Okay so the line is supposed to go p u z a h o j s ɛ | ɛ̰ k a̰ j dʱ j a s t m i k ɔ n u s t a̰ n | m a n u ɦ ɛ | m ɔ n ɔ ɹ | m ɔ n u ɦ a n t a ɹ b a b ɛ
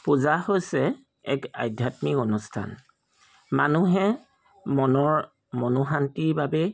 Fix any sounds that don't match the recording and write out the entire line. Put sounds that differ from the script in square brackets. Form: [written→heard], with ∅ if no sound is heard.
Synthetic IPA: p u z a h o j s ɛ | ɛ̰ k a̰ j dʱ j a [s→∅] t m i k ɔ n u s [t→tʰ] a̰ n | m a n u ɦ ɛ | m ɔ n ɔ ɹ | m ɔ n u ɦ a n t [a→i] ɹ b a b ɛ